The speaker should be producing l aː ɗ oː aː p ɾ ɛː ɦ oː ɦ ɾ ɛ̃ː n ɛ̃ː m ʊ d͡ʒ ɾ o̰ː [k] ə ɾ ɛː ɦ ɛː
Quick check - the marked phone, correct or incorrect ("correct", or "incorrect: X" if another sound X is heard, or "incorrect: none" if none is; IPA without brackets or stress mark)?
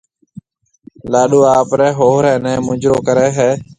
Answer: correct